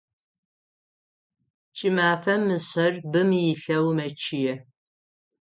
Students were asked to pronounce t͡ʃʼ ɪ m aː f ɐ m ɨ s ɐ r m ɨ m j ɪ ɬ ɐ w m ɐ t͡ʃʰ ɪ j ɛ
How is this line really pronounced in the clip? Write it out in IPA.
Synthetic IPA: t͡ʃʼ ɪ m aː f ɐ m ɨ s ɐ r b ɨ m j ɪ ɬ ɐ w m ɐ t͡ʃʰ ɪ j ɛ